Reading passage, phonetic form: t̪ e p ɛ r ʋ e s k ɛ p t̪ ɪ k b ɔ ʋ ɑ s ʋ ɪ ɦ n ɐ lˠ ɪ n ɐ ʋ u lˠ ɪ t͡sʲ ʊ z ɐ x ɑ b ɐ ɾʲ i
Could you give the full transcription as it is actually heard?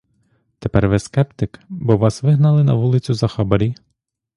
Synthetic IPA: t̪ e p ɛ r ʋ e s k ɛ p t̪ ɪ k b ɔ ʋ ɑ s ʋ ɪ ɦ n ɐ lˠ ɪ n ɐ ʋ u lˠ ɪ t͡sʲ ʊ z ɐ x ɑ b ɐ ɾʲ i